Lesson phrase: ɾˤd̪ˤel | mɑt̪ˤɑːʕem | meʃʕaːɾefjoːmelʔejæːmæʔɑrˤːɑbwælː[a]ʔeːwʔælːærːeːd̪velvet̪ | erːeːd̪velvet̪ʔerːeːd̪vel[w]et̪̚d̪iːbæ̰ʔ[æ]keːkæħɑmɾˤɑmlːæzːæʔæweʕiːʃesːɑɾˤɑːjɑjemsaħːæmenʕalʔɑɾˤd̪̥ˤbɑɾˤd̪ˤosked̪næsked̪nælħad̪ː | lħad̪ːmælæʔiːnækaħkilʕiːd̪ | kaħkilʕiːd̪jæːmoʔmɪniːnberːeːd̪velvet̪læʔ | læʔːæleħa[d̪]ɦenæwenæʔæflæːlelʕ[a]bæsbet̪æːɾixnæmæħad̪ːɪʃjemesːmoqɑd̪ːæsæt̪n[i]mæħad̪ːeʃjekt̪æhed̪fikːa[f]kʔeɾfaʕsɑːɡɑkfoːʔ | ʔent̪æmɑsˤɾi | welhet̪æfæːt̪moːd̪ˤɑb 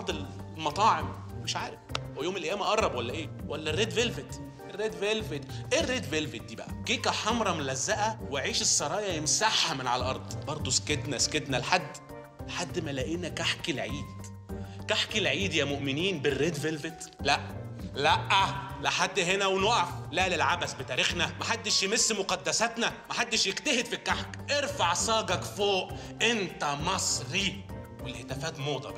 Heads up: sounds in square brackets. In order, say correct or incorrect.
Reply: incorrect, incorrect, correct, incorrect, correct, incorrect, incorrect

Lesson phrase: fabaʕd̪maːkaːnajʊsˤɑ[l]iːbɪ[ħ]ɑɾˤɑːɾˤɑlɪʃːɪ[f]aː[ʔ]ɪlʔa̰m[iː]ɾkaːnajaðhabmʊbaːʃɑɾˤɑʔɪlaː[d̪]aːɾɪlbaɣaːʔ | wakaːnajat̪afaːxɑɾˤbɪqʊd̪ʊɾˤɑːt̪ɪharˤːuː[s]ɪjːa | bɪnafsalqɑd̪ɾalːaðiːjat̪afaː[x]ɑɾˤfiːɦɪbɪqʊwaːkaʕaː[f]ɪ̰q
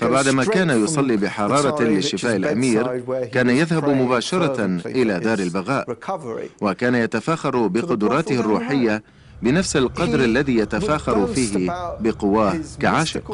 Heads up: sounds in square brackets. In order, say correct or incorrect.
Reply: incorrect, correct, correct, correct, correct, correct, incorrect, correct, incorrect

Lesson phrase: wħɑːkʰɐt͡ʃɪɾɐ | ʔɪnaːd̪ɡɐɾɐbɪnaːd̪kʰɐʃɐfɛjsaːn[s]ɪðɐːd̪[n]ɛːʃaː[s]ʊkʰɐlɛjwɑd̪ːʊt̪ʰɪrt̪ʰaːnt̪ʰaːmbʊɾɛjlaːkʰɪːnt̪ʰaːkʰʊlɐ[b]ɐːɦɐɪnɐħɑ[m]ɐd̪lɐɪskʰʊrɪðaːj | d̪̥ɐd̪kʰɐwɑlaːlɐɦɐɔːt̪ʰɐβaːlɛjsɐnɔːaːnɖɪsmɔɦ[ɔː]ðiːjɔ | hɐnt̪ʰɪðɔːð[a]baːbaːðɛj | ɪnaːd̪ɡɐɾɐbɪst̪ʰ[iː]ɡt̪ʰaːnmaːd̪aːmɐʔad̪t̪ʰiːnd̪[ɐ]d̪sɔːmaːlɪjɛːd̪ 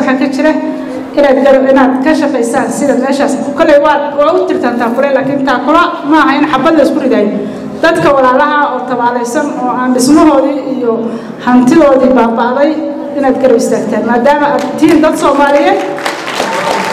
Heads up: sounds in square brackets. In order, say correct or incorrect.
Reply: correct, incorrect, correct, incorrect, incorrect, correct, incorrect, incorrect, correct

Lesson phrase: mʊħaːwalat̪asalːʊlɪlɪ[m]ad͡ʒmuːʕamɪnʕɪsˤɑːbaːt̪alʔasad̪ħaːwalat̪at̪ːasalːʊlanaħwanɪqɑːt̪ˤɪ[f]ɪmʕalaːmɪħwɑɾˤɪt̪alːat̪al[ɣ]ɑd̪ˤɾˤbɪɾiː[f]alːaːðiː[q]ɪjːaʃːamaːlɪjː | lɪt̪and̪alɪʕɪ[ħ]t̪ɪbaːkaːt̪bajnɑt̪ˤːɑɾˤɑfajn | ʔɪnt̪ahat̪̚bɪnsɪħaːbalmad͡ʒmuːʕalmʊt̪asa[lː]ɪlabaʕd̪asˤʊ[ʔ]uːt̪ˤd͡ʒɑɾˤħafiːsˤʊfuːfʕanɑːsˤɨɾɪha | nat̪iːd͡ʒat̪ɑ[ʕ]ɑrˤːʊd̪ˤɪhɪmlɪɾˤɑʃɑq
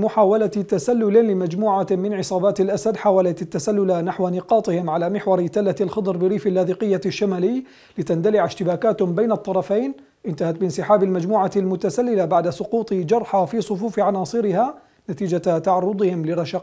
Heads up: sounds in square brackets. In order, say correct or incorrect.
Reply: correct, incorrect, incorrect, correct, correct, incorrect, correct, incorrect, correct

